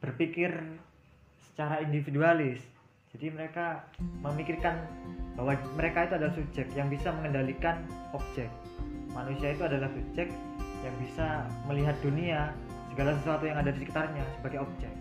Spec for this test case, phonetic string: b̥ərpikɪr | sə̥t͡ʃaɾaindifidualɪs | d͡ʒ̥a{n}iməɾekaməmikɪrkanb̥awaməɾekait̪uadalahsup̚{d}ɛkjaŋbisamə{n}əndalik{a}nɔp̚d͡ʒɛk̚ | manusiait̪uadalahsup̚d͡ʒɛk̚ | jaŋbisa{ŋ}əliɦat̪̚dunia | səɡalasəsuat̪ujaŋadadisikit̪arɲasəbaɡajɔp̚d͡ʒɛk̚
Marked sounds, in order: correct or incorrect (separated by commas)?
incorrect, incorrect, incorrect, correct, incorrect